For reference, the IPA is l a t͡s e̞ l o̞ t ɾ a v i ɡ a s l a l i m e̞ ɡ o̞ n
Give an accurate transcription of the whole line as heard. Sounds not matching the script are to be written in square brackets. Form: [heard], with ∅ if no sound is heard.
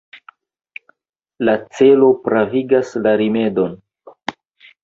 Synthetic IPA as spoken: l a t͡s e̞ l o̞ [p] ɾ a v i ɡ a s l a [ɾ] i m e̞ [d] o̞ n